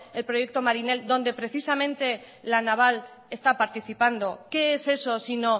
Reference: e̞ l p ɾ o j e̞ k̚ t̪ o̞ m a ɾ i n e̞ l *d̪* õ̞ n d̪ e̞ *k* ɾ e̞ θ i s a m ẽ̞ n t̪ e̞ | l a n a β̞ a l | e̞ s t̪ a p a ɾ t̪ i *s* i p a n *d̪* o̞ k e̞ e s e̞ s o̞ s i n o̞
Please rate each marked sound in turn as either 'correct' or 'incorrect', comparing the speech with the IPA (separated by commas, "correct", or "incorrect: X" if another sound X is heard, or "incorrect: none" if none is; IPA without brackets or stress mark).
correct, incorrect: p, incorrect: θ, correct